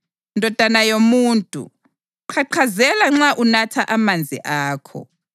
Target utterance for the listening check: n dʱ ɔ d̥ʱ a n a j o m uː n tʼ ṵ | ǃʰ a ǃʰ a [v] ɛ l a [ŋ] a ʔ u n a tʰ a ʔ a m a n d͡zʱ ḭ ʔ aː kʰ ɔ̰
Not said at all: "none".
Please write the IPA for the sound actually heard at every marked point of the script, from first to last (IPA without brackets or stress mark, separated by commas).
z, ŋ͡ǁ